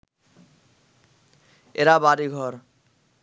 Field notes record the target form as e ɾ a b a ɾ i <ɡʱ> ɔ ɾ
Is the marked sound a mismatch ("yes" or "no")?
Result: no